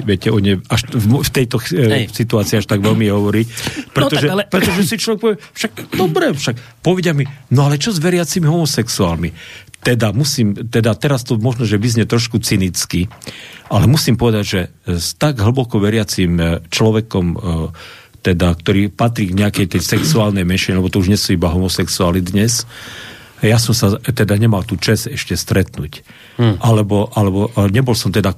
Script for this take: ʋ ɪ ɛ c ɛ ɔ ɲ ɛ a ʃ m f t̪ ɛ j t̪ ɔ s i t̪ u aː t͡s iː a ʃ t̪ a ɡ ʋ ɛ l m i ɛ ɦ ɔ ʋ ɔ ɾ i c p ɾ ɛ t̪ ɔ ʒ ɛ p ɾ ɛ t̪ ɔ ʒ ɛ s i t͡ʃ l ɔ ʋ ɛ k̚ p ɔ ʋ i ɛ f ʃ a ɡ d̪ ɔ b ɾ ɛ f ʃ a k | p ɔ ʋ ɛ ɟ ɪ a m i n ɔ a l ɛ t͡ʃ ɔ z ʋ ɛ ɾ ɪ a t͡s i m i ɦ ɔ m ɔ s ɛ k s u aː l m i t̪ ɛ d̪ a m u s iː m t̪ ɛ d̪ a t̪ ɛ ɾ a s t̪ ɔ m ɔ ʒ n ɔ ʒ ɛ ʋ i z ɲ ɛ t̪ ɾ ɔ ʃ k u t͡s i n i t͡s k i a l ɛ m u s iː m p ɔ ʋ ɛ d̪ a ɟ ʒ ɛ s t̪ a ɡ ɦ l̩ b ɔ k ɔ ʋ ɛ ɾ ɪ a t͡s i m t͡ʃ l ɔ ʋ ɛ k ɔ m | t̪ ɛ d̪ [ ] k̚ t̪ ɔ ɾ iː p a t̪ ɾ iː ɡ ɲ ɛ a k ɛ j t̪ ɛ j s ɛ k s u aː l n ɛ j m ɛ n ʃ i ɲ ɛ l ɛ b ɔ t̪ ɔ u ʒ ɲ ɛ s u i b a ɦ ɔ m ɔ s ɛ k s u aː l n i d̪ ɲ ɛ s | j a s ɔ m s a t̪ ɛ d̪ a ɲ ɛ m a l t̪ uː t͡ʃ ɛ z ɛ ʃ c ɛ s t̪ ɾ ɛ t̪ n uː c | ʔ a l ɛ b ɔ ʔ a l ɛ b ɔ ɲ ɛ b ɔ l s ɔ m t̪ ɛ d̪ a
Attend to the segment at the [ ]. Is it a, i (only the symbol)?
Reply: a